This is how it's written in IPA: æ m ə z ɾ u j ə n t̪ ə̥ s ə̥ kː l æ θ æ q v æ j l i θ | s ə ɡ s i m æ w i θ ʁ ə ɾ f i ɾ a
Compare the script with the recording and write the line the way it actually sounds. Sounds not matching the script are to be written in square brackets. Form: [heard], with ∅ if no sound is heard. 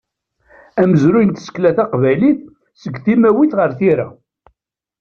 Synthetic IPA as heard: æ m ə z ɾ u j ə n t̪ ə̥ s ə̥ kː l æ θ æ q v æ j l i θ | s ə ɡ [θ] i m æ w i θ ʁ ə ɾ [θ] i ɾ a